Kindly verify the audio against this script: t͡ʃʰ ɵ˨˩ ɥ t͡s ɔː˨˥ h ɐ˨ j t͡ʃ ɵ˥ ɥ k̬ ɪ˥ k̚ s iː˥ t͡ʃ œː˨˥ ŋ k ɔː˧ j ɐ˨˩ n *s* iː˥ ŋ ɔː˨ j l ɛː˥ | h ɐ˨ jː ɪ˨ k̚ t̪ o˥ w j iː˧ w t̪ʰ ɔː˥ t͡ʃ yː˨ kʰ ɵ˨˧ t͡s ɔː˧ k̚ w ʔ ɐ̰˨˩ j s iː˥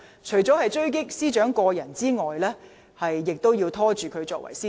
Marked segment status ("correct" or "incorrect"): incorrect